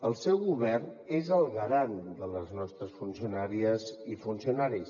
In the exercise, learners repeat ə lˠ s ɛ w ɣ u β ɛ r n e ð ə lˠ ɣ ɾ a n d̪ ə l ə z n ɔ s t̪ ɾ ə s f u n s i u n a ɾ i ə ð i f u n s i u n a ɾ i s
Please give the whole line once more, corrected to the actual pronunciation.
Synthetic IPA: ə lˠ s ɛ w ɣ u β ɛ r n e z ə lˠ ɣ ɾ a n d̪ ə l ə z n ɔ s t̪ ɾ ə s f u n s i u n a ɾ i ə z i f u n s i u n a ɾ i s